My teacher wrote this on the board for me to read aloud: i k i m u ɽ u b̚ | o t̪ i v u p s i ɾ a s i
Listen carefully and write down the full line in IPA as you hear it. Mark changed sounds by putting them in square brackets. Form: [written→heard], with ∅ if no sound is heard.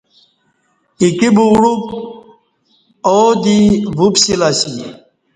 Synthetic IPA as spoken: i k i [m→b] u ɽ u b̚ | o [t̪→d̪] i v u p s i [ɾ→l] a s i

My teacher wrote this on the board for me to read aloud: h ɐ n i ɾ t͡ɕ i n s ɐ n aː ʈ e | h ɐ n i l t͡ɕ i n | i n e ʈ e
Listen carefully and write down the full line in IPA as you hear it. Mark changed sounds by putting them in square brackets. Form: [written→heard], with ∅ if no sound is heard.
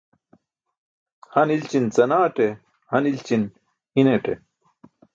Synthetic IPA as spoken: h ɐ n i [ɾ→l] t͡ɕ i n [s→t͡s] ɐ n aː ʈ e | h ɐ n i l t͡ɕ i n | i n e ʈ e

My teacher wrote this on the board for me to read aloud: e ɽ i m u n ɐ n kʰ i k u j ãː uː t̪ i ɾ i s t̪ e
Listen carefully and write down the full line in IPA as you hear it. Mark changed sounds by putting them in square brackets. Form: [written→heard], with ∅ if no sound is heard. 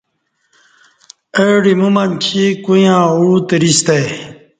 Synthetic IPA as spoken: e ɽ i m u [n→m] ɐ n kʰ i k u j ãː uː t̪ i ɾ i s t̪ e

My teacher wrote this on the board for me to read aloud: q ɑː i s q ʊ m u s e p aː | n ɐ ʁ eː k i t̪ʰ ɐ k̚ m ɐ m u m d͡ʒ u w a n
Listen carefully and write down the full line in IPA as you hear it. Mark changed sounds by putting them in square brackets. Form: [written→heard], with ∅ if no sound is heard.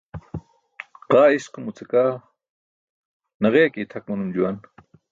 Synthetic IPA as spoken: q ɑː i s q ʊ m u [s→t͡s] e [p→k] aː | n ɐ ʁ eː k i t̪ʰ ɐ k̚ m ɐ [m→n] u m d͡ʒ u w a n

